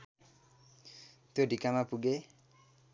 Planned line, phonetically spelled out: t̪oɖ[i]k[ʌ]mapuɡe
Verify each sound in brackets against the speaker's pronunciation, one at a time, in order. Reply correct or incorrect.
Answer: correct, incorrect: a

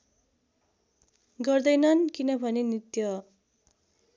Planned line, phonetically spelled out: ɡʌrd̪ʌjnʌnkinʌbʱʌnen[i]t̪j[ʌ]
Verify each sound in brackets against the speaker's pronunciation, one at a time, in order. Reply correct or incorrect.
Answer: correct, correct

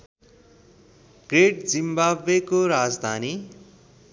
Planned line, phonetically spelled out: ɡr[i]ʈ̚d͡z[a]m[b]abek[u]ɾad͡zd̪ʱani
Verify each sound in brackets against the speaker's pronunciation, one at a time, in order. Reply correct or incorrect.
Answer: incorrect: e, incorrect: i, correct, incorrect: o

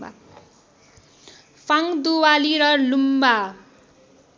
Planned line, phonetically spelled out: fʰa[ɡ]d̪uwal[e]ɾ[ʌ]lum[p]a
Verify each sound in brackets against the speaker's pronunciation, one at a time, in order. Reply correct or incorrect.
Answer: incorrect: ŋ, incorrect: i, correct, incorrect: b

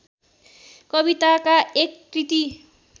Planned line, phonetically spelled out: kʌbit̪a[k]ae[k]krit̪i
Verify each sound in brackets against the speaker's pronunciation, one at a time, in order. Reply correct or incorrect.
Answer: correct, correct

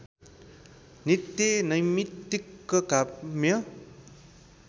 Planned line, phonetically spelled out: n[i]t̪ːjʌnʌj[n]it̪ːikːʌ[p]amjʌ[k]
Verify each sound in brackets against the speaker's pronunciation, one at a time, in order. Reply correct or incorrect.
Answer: correct, incorrect: m, incorrect: k, incorrect: none

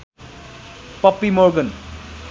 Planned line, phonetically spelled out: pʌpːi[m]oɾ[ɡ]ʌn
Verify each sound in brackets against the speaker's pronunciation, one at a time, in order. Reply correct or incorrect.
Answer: correct, correct

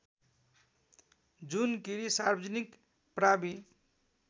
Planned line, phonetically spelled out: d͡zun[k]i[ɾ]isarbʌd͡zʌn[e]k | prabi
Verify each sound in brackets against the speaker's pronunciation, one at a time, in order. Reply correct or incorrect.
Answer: correct, correct, incorrect: i

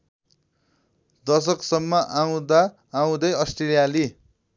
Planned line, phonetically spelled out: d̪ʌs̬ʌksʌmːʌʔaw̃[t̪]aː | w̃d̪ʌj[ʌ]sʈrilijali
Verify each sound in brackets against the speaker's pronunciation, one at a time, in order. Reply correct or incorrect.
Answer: incorrect: d̪, correct

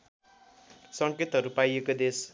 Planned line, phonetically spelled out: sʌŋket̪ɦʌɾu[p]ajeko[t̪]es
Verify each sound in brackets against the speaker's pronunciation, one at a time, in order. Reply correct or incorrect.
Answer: correct, incorrect: d̪

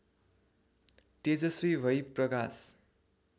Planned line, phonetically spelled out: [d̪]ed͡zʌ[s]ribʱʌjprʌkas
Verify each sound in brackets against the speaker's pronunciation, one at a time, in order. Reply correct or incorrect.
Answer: incorrect: t̪, correct

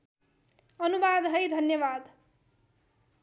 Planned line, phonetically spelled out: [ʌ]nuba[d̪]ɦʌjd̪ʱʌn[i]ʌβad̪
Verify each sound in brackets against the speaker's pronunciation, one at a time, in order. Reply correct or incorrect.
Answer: correct, correct, incorrect: j

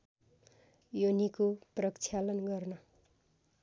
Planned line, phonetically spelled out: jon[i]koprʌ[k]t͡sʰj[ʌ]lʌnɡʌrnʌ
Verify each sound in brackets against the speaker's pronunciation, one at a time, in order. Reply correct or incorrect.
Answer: correct, correct, incorrect: a

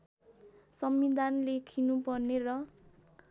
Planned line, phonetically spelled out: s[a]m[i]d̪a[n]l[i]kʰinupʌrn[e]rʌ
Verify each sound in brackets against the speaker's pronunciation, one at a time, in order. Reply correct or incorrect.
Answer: incorrect: ʌ, correct, correct, incorrect: e, correct

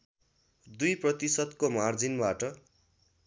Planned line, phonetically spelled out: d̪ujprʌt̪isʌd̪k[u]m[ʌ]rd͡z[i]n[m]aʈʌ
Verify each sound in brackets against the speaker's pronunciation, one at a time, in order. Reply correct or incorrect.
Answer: incorrect: o, incorrect: a, correct, incorrect: b

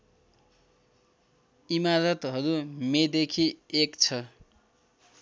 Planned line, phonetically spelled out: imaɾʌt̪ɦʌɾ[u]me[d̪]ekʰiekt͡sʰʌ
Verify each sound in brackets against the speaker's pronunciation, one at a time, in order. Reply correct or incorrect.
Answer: correct, correct

